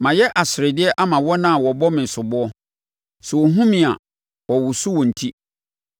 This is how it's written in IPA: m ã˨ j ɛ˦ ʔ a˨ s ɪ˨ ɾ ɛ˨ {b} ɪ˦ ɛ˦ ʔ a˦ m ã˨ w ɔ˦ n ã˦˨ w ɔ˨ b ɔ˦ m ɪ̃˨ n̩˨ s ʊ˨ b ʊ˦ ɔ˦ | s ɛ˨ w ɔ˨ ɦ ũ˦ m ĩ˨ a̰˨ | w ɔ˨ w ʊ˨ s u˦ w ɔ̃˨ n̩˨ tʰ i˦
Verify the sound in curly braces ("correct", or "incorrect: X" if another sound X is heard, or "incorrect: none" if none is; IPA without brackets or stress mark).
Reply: incorrect: d